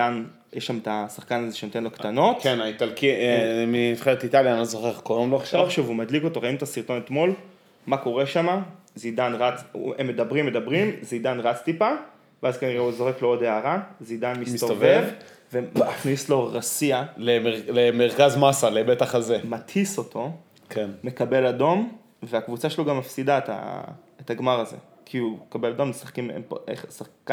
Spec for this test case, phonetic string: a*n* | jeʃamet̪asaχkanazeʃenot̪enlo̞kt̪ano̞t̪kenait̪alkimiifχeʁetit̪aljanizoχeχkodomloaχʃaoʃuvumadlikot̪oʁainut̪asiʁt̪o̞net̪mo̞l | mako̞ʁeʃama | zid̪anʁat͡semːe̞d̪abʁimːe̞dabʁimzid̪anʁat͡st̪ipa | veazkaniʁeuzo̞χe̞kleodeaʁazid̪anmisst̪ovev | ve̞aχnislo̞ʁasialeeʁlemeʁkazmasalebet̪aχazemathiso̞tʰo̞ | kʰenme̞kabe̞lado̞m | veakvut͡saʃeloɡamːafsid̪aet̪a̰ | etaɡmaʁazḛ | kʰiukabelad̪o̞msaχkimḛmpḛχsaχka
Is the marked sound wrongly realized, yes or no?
no